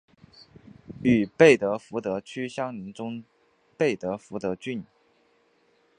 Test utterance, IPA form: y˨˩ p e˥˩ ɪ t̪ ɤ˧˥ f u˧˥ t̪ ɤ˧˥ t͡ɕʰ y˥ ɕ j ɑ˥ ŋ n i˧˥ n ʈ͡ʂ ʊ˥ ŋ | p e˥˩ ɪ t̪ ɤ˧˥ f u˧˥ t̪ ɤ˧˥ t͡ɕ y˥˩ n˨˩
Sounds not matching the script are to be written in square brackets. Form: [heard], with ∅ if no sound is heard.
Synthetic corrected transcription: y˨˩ p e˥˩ ɪ t̪ ɤ˧˥ f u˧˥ t̪ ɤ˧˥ t͡ɕʰ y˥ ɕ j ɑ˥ ŋ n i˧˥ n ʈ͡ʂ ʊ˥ ŋ | p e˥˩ ɪ t̪ ɤ˧˥ f u˧˥ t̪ ɤ˧˥ t͡ɕ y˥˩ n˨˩

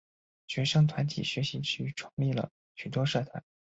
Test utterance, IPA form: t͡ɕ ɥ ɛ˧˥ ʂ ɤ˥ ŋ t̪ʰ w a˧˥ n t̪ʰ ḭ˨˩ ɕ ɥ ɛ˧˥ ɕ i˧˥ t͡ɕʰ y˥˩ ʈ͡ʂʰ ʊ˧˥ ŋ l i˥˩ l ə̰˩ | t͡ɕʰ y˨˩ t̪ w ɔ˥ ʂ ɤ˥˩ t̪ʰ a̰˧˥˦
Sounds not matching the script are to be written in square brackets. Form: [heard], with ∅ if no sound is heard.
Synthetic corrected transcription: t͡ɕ ɥ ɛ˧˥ ʂ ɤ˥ ŋ t̪ʰ w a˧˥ n t̪ʰ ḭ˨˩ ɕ ɥ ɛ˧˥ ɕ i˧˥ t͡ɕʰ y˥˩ ʈ͡ʂʰ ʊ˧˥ ŋ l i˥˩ l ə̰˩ | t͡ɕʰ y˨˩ t̪ w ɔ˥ ʂ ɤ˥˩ t̪ʰ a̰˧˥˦

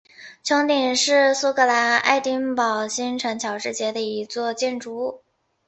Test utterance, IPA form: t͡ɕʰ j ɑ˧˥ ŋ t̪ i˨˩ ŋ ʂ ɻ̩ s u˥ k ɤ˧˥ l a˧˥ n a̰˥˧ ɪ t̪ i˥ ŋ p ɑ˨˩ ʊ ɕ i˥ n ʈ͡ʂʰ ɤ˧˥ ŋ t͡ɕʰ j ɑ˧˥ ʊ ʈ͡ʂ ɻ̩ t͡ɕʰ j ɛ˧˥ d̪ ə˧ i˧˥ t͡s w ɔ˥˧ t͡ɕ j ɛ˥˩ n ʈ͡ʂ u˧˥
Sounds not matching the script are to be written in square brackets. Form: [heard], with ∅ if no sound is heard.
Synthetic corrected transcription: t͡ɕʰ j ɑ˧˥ ŋ t̪ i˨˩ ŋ ʂ ɻ̩ s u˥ k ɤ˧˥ l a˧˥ n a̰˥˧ ɪ t̪ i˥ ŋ p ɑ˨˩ ʊ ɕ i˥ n ʈ͡ʂʰ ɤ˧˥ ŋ t͡ɕʰ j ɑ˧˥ ʊ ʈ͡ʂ ɻ̩ [t͡ɕ] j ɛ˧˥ d̪ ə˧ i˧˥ t͡s w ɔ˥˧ t͡ɕ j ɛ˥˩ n ʈ͡ʂ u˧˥

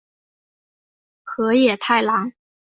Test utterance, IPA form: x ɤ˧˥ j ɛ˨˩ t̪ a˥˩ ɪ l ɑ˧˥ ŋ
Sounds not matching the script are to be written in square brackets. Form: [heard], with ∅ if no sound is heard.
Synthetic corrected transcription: x ɤ˧˥ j ɛ˨˩ [t̪ʰ] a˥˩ ɪ l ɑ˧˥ ŋ

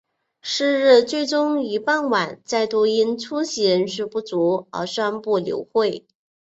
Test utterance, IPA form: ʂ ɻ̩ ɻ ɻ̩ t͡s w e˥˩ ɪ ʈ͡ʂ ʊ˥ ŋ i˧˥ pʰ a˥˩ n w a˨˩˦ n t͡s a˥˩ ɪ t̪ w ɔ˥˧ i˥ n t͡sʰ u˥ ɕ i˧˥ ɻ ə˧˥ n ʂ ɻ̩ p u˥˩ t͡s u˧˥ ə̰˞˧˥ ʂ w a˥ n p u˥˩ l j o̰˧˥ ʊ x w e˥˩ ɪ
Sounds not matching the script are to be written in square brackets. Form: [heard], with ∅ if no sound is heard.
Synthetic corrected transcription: ʂ ɻ̩ ɻ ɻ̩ t͡s w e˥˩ ɪ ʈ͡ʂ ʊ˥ ŋ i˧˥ [p] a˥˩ n w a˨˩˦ n t͡s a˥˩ ɪ t̪ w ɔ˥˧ i˥ n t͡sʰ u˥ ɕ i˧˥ ɻ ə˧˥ n ʂ ɻ̩ p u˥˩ t͡s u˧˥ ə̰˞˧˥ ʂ w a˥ n p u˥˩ l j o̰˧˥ ʊ x w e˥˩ ɪ

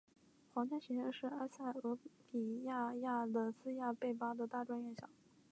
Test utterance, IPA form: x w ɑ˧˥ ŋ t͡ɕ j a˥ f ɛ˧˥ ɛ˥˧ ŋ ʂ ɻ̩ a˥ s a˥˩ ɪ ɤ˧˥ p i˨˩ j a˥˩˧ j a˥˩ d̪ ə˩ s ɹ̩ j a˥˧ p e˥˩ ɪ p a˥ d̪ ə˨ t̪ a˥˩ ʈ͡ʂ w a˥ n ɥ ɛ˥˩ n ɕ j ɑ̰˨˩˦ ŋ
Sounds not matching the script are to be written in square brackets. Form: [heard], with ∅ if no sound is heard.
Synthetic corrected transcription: x w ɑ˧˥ ŋ t͡ɕ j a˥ [ɕ] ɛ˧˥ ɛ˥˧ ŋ ʂ ɻ̩ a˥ s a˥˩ ɪ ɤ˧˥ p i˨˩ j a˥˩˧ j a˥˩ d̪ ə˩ s ɹ̩ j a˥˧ p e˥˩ ɪ p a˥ d̪ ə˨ t̪ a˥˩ ʈ͡ʂ w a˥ n ɥ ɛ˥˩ n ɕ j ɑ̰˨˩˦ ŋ

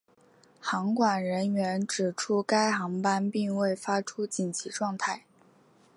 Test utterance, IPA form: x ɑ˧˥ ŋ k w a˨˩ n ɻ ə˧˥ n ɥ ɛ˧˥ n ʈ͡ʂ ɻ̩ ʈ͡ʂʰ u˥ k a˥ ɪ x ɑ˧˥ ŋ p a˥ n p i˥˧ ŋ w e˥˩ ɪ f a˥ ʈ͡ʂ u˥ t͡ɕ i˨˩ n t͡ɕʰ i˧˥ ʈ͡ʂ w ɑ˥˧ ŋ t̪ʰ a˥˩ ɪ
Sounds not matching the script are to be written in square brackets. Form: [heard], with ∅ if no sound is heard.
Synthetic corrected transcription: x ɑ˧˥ ŋ k w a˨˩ n ɻ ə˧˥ n ɥ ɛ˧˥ n ʈ͡ʂ ɻ̩ ʈ͡ʂʰ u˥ k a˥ ɪ x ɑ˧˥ ŋ p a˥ n p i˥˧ ŋ w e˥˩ ɪ f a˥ [ʈ͡ʂʰ] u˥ t͡ɕ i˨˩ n t͡ɕʰ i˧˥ ʈ͡ʂ w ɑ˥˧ ŋ t̪ʰ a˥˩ ɪ

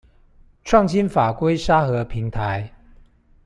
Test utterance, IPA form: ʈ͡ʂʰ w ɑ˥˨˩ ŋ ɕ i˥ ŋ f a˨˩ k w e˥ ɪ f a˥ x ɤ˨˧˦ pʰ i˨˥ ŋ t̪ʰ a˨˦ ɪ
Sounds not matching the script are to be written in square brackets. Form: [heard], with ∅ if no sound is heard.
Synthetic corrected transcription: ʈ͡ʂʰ w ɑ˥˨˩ ŋ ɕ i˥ [n] f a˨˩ k w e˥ ɪ [ʂ] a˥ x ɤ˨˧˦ pʰ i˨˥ ŋ t̪ʰ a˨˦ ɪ

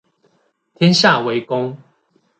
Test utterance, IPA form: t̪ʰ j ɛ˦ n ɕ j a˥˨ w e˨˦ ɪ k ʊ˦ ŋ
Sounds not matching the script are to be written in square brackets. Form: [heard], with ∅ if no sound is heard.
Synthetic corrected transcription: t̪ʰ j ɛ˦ n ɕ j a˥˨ w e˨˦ ɪ k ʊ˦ ŋ

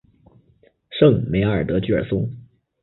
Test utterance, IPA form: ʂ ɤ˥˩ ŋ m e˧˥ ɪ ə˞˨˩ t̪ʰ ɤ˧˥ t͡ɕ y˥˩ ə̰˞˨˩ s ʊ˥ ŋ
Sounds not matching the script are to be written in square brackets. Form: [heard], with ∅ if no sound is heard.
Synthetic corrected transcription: ʂ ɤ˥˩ ŋ m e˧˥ ɪ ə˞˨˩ [t̪] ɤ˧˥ t͡ɕ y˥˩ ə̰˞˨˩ s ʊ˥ ŋ

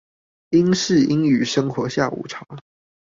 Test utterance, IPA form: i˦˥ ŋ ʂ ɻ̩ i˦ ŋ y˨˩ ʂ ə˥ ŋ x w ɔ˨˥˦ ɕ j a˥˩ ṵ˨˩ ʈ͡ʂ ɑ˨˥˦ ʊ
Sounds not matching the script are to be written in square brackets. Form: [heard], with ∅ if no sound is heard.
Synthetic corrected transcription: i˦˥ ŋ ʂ ɻ̩ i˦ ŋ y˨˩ ʂ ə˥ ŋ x w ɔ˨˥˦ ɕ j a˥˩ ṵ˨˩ [ʈ͡ʂʰ] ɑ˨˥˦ ʊ

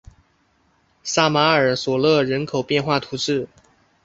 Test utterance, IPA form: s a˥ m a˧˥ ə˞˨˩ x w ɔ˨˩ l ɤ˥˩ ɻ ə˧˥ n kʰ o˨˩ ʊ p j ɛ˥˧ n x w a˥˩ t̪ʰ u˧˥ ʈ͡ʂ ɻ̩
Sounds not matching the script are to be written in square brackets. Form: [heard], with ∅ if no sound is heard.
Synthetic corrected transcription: s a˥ m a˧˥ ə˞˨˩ [s] w ɔ˨˩ l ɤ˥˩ ɻ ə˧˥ n kʰ o˨˩ ʊ p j ɛ˥˧ n x w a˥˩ t̪ʰ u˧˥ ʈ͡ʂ ɻ̩

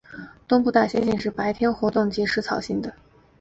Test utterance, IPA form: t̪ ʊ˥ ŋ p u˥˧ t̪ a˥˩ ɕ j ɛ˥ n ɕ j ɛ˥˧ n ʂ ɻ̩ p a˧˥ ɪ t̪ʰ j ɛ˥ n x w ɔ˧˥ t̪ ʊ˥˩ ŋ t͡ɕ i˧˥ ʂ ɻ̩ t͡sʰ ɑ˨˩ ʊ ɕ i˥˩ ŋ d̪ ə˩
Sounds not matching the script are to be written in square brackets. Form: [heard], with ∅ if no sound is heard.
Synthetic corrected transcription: t̪ ʊ˥ ŋ p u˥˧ t̪ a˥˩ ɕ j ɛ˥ n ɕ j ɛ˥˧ n ʂ ɻ̩ p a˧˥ ɪ t̪ʰ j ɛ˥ n x w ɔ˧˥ t̪ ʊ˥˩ ŋ t͡ɕ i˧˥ ʂ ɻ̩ t͡sʰ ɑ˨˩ ʊ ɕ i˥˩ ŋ d̪ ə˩

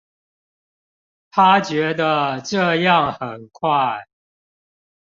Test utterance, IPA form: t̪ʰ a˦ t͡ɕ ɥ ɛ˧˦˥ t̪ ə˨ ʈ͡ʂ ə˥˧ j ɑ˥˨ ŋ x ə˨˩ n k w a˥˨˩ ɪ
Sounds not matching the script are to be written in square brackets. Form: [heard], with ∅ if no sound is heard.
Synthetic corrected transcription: t̪ʰ a˦ t͡ɕ ɥ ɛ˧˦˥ [d̪] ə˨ ʈ͡ʂ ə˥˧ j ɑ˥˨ ŋ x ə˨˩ n [kʰ] w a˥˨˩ ɪ

